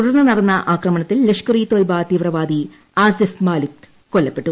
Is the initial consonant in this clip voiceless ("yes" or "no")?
yes